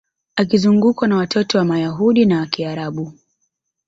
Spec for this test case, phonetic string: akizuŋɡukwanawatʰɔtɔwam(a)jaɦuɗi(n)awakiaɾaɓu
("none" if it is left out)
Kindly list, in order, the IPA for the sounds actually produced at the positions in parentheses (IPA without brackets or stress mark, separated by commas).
a, n